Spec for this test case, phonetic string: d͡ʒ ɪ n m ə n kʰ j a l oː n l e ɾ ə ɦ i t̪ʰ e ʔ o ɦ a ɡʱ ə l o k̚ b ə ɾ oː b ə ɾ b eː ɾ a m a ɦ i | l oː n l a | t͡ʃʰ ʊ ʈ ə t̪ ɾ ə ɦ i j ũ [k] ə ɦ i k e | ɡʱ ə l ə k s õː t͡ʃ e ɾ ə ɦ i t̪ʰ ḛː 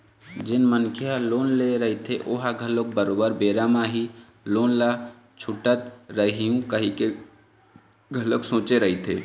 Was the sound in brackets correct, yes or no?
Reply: yes